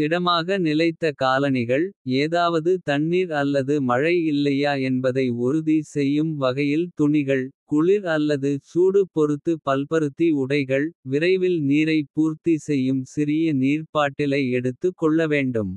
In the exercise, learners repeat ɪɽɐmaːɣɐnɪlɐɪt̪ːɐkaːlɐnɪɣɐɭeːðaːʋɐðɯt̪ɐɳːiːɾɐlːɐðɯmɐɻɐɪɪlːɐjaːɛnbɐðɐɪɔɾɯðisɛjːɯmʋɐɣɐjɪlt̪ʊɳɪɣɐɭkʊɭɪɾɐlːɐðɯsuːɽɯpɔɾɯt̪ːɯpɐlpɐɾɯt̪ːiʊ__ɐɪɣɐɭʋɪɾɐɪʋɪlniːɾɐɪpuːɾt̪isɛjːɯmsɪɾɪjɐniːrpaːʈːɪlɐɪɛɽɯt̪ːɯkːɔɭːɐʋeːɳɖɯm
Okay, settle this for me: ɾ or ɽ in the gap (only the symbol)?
ɽ